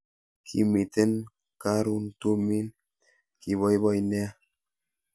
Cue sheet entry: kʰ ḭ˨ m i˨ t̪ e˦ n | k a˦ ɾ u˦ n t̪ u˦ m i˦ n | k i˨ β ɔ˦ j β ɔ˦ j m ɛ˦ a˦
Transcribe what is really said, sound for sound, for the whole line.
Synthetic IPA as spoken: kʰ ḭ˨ m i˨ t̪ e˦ n | k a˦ ɾ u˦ n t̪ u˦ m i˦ n | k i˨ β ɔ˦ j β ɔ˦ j n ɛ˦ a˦